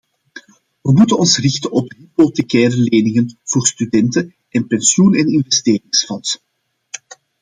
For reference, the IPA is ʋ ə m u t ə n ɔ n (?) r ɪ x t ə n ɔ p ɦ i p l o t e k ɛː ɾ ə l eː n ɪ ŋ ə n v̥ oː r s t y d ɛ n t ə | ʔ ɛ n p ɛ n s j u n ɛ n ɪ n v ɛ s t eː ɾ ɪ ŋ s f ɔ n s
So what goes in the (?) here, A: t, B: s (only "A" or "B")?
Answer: B